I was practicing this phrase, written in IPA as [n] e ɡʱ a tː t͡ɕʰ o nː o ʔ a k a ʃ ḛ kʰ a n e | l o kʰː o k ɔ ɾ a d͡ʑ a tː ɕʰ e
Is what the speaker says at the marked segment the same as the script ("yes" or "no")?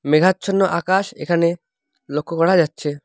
no